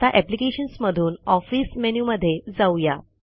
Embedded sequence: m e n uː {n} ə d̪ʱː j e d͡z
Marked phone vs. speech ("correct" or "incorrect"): incorrect